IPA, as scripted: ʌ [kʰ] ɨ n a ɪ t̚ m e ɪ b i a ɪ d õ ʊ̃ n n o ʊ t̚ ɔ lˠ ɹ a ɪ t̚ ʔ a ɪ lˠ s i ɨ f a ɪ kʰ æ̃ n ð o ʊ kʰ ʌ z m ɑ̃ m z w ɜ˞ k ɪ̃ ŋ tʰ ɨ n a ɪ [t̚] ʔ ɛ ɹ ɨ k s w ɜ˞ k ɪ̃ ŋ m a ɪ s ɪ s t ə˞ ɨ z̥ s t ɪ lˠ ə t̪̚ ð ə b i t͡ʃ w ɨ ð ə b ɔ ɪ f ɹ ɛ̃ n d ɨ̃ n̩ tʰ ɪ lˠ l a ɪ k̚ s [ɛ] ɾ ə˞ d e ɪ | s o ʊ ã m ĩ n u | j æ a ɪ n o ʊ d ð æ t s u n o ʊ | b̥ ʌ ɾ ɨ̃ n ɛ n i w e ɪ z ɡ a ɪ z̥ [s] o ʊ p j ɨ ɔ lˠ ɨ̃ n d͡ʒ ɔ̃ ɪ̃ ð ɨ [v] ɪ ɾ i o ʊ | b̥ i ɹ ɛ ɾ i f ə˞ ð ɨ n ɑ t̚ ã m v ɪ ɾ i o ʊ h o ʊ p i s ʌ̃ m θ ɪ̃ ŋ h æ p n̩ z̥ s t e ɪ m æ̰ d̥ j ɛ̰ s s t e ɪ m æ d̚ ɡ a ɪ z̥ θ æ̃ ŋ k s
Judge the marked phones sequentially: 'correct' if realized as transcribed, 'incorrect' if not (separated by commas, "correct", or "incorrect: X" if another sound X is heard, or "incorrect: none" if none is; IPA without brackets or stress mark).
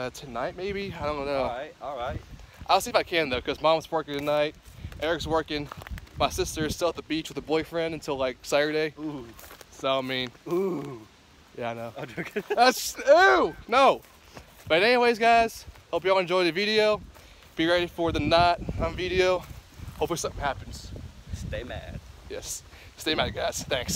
incorrect: tʰ, correct, incorrect: æ, incorrect: h, correct